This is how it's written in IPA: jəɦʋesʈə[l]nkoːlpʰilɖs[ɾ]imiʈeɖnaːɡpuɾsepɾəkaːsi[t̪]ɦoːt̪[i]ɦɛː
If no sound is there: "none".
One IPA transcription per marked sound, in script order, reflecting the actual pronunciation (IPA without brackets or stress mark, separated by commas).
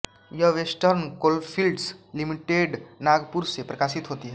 ɾ, l, t̪, i